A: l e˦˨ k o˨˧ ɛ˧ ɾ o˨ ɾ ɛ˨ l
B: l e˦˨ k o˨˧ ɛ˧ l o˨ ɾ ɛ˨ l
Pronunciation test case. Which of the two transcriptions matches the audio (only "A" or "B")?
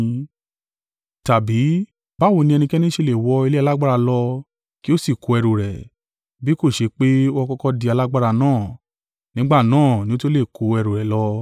A